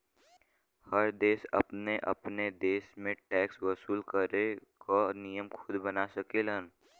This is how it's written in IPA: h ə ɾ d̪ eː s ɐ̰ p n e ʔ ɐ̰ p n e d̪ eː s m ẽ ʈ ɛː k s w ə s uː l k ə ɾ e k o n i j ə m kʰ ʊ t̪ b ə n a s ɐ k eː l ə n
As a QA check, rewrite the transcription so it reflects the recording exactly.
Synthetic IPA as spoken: h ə ɾ d̪ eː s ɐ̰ p n e ʔ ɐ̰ p n e d̪ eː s m ẽ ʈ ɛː k s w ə s uː l k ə ɾ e k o n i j ə m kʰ ʊ d̪ b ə n a s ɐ k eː l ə n